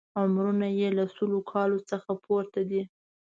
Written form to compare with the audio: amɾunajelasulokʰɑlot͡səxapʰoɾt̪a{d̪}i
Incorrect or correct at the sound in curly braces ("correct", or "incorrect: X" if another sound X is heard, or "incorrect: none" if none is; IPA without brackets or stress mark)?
correct